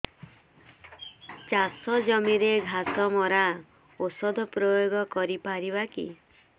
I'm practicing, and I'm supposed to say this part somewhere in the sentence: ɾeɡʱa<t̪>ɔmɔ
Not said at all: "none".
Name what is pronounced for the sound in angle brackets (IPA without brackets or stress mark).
t̪